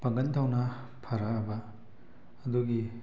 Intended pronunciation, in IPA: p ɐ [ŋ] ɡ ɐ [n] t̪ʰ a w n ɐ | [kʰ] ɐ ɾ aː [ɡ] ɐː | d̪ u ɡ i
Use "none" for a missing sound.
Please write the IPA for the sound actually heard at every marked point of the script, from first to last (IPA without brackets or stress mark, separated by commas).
ŋ, n, pʰ, b